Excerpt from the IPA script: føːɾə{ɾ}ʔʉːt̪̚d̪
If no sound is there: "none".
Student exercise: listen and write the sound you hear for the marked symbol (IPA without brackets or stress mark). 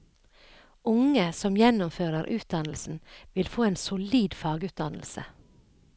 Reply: ɾ